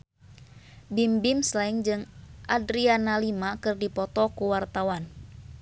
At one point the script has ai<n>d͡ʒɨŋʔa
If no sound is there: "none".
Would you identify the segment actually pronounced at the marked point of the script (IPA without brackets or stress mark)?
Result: ŋ